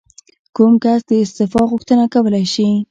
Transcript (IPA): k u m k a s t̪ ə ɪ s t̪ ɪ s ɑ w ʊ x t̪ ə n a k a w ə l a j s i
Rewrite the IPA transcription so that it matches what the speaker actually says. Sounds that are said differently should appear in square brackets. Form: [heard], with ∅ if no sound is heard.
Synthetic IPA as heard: k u m k a s [d̪] ə ɪ s t̪ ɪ [f] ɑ [ɣ] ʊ x t̪ ə n a k a w ə l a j [ʃ] i